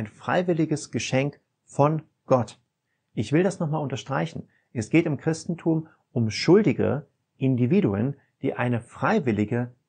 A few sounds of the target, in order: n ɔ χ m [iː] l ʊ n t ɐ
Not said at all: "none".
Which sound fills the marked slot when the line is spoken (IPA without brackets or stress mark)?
aː